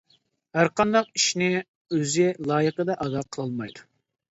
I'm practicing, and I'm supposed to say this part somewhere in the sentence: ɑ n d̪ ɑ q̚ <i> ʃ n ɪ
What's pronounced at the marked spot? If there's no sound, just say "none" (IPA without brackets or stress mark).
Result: i